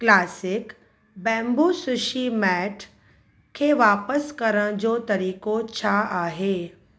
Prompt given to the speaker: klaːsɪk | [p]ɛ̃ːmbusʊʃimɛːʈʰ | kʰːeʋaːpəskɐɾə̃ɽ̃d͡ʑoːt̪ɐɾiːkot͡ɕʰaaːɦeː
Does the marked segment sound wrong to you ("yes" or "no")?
yes